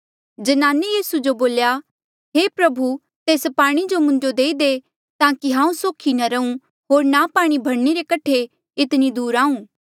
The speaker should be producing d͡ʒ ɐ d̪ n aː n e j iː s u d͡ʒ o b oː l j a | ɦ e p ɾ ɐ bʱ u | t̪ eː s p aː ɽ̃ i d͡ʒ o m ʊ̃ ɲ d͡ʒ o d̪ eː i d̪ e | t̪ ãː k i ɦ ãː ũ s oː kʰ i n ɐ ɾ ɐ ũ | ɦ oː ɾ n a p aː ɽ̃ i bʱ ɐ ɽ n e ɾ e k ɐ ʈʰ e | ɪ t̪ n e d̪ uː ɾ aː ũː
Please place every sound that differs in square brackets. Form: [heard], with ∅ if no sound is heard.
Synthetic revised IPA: d͡ʒ ɐ [∅] n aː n e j iː s u d͡ʒ o b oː l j a | ɦ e p ɾ ɐ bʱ u | t̪ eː s p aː ɽ̃ i d͡ʒ o m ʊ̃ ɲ d͡ʒ o d̪ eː i d̪ e | t̪ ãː k i ɦ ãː ũ s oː kʰ i n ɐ ɾ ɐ ũ | ɦ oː ɾ n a p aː ɽ̃ i bʱ ɐ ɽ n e ɾ e k ɐ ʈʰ e | ɪ t̪ n [i] d̪ uː ɾ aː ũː